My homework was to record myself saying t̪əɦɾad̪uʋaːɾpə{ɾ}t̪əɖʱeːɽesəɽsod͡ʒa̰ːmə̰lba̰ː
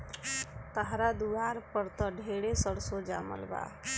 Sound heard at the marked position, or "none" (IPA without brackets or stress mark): ɾ